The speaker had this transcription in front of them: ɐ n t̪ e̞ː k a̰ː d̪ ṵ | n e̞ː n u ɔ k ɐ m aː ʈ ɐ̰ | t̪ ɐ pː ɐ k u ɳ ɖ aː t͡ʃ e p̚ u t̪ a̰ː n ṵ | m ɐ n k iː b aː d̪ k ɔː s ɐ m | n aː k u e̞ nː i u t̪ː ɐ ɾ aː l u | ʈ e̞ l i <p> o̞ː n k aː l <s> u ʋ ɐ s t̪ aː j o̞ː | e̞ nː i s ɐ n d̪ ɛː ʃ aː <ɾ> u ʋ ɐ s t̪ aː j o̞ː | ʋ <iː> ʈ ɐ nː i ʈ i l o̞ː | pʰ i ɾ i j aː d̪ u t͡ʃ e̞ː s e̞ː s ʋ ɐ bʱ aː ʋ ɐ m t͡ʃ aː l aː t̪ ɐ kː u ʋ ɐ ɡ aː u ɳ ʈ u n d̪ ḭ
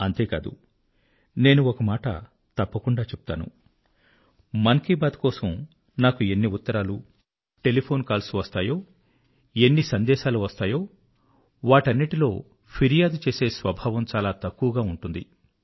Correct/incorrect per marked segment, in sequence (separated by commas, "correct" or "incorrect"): incorrect, correct, incorrect, incorrect